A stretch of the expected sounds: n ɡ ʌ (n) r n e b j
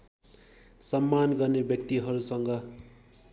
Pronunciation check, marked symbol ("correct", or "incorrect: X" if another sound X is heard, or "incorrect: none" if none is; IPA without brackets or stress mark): incorrect: none